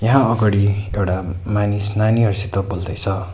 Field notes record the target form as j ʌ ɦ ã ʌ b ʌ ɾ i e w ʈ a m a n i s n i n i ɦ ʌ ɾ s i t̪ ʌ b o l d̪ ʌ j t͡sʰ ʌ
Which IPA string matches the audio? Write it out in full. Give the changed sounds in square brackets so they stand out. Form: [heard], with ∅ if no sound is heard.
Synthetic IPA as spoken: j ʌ ɦ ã ʌ [ɡ] ʌ [ɽ] i e w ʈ a m a n i s n [a] n i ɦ ʌ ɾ s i t̪ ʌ b o l d̪ ʌ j t͡sʰ ʌ